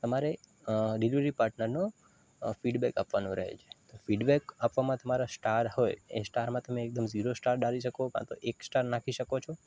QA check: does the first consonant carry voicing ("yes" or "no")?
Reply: no